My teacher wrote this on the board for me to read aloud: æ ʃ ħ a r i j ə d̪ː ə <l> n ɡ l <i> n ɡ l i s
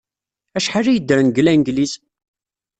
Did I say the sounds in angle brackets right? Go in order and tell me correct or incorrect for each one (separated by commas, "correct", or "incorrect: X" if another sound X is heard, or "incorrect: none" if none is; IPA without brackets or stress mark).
incorrect: ɾ, incorrect: æ